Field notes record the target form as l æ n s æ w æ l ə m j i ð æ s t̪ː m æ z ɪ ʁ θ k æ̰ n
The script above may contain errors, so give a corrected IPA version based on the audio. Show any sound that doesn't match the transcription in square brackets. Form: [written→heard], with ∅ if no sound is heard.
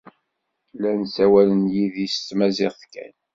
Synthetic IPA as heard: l æ n s æ w æ l ə [m→n] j i ð [æ→i] s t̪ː m æ z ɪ ʁ θ k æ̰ n